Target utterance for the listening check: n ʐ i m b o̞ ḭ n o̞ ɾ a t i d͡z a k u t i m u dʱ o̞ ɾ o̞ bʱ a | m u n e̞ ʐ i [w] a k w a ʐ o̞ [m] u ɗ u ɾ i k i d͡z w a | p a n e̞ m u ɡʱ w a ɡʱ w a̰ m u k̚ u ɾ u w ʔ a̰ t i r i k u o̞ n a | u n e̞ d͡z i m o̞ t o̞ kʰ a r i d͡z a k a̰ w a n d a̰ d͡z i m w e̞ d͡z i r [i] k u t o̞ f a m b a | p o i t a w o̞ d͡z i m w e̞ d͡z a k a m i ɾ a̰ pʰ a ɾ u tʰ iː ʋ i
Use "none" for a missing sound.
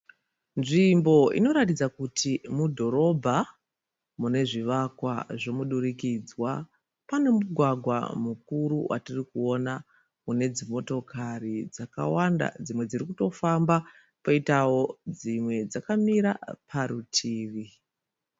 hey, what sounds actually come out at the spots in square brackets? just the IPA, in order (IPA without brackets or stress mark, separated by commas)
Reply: ʋ, m, i